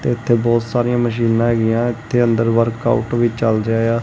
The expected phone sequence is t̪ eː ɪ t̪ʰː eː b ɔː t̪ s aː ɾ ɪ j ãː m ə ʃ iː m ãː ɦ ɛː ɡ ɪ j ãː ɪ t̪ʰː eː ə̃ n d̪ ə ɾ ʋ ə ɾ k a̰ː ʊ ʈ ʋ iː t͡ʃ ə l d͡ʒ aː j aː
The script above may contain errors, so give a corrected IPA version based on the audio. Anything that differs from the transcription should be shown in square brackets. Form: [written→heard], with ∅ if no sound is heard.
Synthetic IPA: t̪ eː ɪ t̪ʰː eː b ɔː t̪ s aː ɾ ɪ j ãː m ə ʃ iː [m→n] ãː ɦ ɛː ɡ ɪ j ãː ɪ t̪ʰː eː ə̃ n d̪ ə ɾ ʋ ə ɾ k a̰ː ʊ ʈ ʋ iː t͡ʃ ə l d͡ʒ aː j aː